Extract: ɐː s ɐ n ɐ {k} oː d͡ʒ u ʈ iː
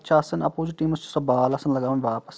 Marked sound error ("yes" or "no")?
yes